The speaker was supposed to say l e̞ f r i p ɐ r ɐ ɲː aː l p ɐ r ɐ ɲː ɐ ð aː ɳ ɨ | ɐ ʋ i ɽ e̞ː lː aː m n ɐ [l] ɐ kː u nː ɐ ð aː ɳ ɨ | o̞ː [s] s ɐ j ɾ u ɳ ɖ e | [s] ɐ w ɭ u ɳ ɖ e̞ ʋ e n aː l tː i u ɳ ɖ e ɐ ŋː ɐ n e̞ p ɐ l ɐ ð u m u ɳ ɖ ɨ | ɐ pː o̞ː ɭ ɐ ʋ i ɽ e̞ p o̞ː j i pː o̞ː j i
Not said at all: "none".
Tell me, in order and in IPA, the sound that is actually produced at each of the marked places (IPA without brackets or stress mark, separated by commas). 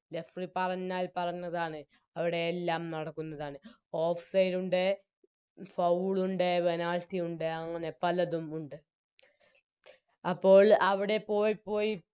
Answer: ɽ, f, f